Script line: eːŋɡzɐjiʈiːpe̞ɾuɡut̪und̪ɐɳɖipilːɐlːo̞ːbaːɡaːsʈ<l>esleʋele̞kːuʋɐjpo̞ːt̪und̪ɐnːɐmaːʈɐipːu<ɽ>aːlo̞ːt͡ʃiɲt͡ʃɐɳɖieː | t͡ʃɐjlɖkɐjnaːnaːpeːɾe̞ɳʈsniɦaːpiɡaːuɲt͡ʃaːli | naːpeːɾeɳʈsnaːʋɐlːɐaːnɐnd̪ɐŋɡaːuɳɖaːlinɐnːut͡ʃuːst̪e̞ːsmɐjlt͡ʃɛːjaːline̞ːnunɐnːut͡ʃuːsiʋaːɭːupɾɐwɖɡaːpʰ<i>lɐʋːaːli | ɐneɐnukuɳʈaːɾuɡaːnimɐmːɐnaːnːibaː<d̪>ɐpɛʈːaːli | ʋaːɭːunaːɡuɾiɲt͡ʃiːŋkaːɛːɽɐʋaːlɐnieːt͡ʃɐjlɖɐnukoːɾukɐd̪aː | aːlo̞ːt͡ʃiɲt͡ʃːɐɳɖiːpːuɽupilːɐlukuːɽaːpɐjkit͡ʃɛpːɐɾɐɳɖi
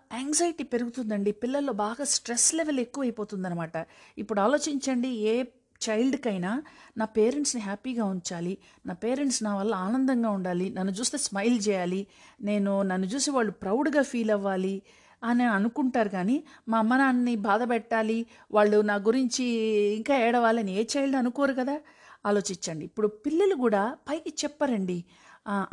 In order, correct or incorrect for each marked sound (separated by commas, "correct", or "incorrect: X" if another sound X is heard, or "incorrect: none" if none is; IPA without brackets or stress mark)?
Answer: incorrect: ɾ, correct, incorrect: iː, correct